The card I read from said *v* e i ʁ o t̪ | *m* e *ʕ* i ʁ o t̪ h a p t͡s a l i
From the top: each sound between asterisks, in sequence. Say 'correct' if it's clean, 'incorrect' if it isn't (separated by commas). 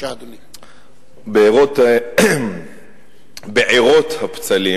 incorrect, incorrect, correct